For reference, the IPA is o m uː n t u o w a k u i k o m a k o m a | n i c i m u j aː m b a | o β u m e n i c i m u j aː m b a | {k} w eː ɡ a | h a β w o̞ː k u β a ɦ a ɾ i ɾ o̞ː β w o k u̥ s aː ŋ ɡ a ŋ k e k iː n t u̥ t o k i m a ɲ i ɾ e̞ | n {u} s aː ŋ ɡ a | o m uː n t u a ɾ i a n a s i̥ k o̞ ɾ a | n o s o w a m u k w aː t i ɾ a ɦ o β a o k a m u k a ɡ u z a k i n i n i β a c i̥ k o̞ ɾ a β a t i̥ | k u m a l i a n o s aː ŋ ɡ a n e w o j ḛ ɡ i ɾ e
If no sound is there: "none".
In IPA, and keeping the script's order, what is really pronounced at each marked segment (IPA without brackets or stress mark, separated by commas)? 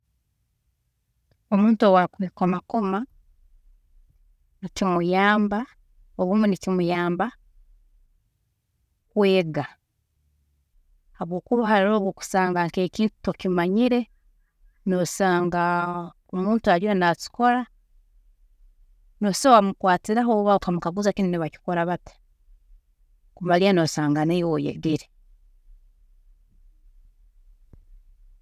k, o